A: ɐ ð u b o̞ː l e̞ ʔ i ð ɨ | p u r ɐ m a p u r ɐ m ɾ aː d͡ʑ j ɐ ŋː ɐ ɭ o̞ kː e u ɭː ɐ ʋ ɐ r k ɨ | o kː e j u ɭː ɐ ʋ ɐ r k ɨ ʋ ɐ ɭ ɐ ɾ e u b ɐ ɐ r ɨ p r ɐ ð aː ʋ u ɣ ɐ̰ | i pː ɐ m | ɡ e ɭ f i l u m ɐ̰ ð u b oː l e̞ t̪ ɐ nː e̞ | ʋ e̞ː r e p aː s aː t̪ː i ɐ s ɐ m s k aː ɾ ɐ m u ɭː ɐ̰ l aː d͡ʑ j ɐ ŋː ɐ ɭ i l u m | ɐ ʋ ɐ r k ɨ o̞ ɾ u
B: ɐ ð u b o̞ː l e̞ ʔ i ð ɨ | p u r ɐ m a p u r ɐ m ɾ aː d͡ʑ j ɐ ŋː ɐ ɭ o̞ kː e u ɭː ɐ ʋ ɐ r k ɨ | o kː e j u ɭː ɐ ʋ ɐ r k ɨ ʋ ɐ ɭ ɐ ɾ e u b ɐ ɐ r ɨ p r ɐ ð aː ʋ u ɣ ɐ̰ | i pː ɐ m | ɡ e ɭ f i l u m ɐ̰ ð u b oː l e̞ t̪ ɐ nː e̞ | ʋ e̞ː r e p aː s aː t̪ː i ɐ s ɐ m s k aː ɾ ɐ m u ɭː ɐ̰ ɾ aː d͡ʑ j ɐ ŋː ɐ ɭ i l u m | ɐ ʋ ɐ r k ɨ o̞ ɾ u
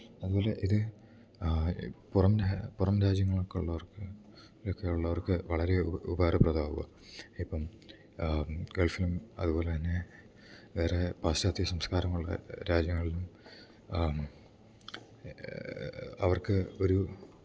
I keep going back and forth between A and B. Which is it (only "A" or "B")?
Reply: B